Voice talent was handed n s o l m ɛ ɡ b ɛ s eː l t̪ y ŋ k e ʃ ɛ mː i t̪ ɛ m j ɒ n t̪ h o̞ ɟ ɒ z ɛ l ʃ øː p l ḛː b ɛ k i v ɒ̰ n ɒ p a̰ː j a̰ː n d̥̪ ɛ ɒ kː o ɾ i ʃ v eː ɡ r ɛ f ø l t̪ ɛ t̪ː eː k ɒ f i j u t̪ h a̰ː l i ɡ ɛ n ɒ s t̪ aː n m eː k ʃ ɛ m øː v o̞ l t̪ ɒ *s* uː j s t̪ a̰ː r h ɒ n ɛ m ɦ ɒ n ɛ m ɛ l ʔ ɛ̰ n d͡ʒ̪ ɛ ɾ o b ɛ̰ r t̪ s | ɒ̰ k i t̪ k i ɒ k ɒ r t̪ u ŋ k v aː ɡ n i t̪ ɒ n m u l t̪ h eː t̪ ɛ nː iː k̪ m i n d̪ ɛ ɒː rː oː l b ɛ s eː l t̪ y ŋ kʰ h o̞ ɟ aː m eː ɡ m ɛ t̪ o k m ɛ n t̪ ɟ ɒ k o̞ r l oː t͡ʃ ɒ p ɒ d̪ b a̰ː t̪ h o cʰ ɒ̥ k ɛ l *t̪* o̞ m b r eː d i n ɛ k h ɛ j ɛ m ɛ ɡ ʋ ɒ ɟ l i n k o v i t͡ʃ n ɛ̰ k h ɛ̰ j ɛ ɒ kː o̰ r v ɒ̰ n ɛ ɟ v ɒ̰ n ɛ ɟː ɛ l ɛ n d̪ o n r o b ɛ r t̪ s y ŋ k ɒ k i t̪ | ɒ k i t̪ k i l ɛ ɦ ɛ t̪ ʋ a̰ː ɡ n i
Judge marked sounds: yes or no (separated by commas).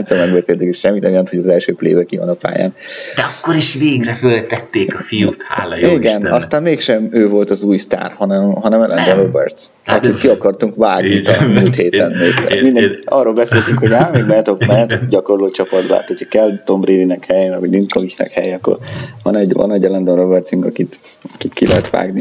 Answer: no, yes